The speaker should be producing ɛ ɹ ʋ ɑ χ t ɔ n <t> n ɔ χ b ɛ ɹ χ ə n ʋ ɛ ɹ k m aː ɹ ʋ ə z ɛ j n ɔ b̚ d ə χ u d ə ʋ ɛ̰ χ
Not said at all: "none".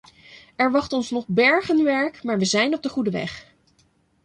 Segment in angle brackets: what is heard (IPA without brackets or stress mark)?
s